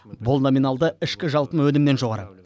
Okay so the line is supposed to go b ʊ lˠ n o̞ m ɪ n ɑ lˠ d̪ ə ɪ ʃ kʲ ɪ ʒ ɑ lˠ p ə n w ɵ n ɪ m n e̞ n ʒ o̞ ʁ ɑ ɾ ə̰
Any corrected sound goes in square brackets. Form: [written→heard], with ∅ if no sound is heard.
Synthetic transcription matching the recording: b ʊ lˠ n o̞ m [ɪ→i] n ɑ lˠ d̪ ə ɪ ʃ kʲ ɪ ʒ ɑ lˠ p ə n w ɵ n ɪ m n e̞ n ʒ o̞ ʁ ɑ ɾ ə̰